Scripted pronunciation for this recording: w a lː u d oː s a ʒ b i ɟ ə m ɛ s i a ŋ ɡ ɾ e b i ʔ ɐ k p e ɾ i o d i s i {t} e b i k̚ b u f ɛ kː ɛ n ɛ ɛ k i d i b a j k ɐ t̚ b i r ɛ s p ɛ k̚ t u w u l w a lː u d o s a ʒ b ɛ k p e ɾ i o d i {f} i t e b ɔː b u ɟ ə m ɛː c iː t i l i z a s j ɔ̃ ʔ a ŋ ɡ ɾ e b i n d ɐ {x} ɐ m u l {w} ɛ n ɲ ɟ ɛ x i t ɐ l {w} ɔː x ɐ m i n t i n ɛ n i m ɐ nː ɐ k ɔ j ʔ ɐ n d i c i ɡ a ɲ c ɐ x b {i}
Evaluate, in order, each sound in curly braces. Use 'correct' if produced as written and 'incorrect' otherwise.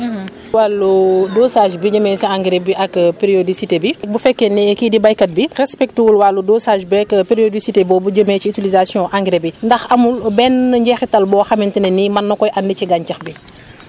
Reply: correct, incorrect: s, correct, incorrect: b, incorrect: b, correct

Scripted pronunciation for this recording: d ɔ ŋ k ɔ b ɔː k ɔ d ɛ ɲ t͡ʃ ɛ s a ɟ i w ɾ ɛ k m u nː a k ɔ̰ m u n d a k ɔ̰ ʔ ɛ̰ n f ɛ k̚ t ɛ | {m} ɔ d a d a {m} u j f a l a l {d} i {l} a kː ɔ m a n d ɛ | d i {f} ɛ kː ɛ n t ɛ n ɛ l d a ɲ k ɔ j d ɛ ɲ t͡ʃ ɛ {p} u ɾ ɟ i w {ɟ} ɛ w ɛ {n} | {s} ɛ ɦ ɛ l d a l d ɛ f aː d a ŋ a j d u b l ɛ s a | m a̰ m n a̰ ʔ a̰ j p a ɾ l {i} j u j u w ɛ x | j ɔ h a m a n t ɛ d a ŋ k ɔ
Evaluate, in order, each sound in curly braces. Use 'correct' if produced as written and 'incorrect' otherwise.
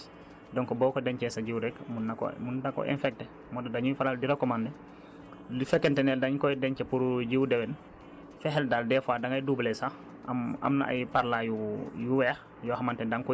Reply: correct, incorrect: ɲ, correct, incorrect: ɾ, correct, correct, incorrect: d, correct, incorrect: f, incorrect: a

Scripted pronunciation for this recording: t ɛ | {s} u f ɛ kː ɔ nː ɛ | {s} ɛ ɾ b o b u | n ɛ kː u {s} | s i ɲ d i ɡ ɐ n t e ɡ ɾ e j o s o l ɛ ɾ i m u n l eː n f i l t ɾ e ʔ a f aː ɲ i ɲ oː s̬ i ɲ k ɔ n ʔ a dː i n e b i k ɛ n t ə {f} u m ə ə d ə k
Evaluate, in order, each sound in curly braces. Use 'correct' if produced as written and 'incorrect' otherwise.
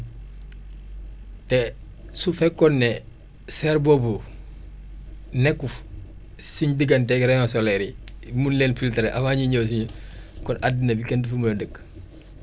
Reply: correct, correct, incorrect: f, correct

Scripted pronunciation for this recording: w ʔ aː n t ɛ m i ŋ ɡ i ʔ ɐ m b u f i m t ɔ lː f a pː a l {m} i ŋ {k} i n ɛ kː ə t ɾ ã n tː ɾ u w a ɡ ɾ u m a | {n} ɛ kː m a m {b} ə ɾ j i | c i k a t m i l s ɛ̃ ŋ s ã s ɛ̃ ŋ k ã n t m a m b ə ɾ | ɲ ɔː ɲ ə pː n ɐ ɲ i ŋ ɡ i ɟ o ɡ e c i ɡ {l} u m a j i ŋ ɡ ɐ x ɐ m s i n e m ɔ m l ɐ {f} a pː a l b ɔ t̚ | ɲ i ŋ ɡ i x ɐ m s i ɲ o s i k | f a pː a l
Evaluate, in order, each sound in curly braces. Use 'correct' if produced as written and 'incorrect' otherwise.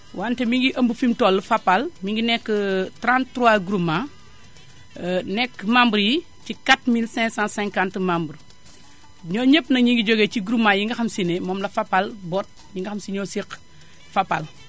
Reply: correct, incorrect: ɡ, correct, correct, incorrect: ɾ, correct

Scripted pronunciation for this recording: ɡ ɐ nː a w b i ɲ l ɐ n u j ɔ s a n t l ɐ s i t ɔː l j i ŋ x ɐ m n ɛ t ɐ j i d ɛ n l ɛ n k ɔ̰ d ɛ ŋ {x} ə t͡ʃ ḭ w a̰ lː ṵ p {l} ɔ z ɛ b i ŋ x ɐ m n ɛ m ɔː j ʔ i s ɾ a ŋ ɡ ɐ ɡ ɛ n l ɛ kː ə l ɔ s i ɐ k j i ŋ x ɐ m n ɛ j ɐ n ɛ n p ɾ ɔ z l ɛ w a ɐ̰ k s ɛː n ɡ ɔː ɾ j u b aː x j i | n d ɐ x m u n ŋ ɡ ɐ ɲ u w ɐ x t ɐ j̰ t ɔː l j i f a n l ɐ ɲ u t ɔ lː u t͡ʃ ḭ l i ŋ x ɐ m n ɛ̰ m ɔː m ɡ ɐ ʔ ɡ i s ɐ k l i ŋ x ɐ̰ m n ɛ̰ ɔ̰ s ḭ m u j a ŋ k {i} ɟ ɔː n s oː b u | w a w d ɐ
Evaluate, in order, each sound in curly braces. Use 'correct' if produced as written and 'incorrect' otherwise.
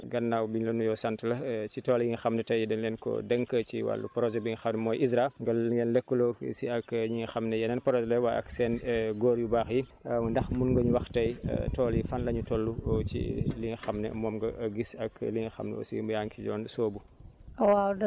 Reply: incorrect: k, incorrect: ɾ, correct

